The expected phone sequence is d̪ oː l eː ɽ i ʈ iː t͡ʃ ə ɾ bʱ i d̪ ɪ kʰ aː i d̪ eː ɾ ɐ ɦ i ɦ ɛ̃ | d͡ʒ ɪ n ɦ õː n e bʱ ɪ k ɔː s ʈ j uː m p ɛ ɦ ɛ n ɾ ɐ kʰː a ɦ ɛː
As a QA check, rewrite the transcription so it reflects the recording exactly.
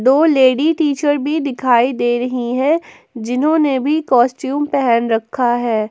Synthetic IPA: d̪ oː l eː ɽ i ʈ iː t͡ʃ ə ɾ bʱ i d̪ ɪ kʰ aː i d̪ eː ɾ ɐ ɦ i ɦ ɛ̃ | d͡ʒ ɪ n ɦ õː n e bʱ i k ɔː s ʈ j uː m p ɛ ɦ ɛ n ɾ ɐ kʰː a ɦ ɛː